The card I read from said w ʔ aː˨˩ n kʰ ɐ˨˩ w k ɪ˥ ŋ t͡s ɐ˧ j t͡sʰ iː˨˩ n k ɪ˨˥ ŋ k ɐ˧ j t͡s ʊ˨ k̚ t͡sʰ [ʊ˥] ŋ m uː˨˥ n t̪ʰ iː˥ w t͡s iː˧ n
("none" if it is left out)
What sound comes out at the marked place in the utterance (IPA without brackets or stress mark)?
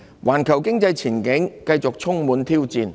ʊ˥